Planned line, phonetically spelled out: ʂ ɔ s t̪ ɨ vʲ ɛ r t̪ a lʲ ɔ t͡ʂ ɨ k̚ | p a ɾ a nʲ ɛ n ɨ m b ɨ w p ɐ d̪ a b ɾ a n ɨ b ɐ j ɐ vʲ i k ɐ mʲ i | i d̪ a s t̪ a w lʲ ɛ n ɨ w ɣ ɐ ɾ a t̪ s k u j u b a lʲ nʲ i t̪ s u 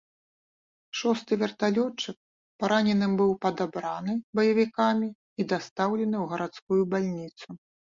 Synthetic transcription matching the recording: ʂ ɔ s t̪ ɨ vʲ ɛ r t̪ a lʲ ɔ t͡ʂ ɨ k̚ | p a ɾ a nʲ ɛ n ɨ m b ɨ w p ɐ d̪ a b ɾ a n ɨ b ɐ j ɐ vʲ i k a mʲ i | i d̪ a s t̪ a w lʲ ɛ n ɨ w ɣ ɐ ɾ a t̪ s k u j u b a lʲ nʲ i t̪ s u